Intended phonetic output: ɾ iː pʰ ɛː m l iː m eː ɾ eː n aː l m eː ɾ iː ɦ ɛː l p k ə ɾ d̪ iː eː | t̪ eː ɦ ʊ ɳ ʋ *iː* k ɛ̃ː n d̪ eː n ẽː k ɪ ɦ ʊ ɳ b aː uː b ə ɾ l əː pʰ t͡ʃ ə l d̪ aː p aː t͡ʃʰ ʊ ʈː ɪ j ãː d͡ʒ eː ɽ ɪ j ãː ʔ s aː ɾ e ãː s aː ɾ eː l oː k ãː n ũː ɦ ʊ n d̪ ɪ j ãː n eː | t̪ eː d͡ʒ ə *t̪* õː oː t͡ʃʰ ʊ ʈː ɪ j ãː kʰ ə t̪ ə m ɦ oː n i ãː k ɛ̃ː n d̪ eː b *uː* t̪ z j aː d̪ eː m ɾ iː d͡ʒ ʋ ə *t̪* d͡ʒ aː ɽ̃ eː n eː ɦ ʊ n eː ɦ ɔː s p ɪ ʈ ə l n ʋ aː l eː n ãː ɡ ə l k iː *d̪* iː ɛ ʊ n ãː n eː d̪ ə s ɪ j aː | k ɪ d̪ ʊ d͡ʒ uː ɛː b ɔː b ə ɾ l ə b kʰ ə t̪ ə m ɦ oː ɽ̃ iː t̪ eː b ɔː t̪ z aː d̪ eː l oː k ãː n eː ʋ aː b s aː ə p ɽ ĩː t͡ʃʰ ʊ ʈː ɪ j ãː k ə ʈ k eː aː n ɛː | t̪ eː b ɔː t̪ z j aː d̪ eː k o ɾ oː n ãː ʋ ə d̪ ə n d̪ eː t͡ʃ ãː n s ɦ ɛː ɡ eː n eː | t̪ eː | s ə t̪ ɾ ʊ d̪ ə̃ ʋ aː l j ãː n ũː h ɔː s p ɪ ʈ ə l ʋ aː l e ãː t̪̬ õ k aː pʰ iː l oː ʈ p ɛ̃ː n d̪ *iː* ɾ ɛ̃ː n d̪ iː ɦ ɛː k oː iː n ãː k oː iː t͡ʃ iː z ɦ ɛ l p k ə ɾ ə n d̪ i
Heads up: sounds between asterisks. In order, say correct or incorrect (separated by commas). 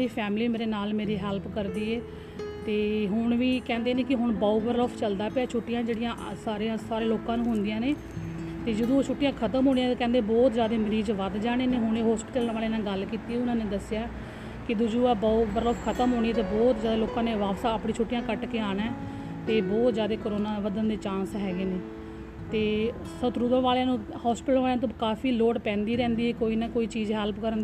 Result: correct, incorrect, incorrect, incorrect, incorrect, correct